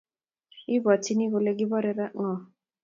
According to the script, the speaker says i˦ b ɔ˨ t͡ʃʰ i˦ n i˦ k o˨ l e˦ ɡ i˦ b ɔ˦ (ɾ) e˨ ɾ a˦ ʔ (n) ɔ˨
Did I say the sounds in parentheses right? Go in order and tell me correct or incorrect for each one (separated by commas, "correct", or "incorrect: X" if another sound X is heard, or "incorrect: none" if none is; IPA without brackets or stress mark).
correct, incorrect: ŋ